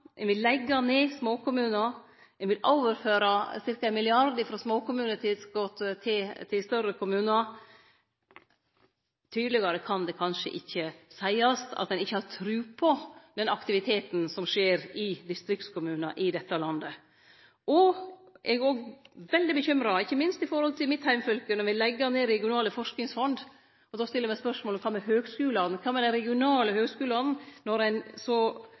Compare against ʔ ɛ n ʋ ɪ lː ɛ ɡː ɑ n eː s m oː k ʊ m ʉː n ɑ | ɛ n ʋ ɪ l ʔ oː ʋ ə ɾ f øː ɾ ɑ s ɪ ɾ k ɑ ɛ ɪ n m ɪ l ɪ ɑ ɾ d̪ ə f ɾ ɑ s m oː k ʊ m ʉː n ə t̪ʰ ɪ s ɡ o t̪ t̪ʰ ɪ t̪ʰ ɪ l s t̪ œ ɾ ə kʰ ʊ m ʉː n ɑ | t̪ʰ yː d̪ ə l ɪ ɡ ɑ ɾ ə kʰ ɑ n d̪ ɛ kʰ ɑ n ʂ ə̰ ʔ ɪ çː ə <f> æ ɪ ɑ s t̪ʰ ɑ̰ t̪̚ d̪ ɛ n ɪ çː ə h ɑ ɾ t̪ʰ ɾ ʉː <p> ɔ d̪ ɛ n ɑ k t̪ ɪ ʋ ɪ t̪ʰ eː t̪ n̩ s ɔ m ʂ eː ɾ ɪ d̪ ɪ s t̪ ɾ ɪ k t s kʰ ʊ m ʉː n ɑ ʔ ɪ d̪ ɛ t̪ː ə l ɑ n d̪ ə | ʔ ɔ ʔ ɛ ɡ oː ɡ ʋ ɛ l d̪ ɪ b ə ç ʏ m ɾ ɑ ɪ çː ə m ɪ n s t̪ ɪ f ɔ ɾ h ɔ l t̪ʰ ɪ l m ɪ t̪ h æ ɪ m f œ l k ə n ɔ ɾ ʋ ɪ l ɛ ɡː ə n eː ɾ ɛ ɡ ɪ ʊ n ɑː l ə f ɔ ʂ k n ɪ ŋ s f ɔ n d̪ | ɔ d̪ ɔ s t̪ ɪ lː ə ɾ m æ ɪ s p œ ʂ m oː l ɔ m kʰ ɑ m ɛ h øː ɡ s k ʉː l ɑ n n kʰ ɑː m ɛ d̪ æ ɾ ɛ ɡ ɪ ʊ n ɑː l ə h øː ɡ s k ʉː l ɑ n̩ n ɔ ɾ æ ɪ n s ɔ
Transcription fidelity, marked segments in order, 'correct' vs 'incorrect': incorrect: s, incorrect: pʰ

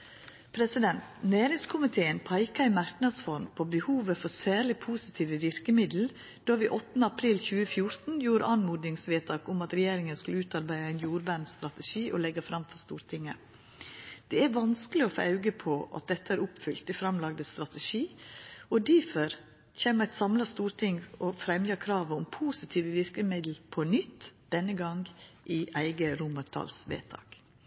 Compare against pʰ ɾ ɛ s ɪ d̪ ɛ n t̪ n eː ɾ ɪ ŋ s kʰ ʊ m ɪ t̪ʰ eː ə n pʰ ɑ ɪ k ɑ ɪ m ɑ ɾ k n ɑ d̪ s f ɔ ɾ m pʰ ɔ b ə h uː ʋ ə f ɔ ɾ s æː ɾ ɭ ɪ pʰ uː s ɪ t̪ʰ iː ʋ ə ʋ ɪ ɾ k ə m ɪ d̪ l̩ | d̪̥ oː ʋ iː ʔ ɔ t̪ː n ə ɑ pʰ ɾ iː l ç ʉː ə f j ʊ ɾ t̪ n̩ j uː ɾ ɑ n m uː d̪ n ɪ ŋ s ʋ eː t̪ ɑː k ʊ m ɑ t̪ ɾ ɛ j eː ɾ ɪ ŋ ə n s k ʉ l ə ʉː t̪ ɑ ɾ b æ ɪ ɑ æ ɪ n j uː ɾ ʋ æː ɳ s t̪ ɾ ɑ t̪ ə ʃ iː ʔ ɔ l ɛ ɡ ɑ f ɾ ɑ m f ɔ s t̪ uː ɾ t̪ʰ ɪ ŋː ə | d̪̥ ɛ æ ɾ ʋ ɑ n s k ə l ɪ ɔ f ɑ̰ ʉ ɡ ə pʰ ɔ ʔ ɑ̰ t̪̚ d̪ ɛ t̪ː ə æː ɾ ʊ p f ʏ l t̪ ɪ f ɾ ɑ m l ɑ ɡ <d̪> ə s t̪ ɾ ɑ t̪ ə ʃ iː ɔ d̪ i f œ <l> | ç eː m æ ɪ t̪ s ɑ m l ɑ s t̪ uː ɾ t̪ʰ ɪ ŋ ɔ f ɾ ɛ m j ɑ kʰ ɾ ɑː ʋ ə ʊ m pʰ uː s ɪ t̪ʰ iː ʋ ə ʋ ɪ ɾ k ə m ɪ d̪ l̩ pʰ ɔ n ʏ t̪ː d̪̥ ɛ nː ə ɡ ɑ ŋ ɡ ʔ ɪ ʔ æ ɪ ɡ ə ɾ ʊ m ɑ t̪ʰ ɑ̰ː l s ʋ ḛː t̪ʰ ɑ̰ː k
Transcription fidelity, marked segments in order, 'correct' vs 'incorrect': correct, incorrect: ɾ

